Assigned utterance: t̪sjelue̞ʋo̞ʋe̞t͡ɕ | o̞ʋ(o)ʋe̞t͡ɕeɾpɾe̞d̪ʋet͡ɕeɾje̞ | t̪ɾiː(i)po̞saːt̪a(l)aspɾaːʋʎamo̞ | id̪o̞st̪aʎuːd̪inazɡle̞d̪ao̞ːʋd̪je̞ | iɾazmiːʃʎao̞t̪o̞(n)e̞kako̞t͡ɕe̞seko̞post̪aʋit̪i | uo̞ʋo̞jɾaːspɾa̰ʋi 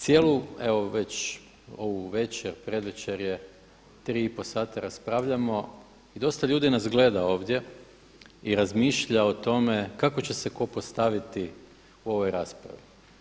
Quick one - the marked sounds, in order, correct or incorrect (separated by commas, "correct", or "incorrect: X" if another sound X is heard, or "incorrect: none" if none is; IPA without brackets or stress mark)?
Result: incorrect: u, correct, incorrect: ɾ, incorrect: m